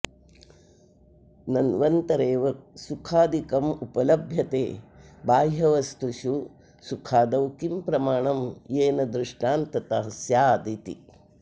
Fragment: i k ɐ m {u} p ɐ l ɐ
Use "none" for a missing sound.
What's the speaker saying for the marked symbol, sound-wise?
u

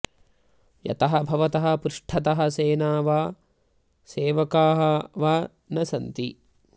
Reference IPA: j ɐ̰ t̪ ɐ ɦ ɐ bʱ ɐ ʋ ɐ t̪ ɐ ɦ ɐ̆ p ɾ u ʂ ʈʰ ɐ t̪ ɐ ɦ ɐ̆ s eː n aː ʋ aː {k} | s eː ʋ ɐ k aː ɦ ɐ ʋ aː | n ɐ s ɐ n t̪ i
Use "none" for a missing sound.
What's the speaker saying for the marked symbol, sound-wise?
none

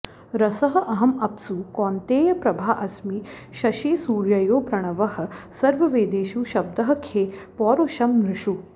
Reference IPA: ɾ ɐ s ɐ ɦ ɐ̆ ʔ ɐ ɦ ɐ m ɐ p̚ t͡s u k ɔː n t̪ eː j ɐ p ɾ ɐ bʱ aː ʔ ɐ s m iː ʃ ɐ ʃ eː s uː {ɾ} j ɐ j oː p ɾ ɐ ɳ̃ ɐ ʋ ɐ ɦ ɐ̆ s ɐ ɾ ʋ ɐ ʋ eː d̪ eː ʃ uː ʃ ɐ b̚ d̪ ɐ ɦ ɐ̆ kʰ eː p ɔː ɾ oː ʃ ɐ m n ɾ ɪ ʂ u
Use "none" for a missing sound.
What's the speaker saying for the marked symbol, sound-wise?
ɾ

